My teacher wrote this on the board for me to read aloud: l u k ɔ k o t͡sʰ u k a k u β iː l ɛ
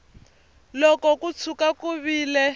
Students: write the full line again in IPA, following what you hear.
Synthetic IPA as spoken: l ɔ k ɔ k u t͡sʰ u k a k u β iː l ɛ